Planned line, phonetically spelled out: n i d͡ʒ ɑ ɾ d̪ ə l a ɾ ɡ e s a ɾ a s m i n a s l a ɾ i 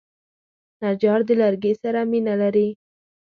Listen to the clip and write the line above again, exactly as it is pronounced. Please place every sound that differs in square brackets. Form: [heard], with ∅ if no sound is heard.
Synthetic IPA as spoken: n [a] d͡ʒ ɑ ɾ d̪ ə l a ɾ ɡ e s a ɾ a [∅] m i n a [∅] l a ɾ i